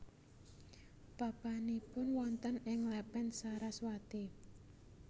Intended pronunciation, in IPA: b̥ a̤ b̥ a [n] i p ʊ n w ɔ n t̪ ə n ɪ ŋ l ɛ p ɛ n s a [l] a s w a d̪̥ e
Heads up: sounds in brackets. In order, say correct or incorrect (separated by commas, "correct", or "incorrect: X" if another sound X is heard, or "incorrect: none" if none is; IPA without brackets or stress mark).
correct, incorrect: ɾ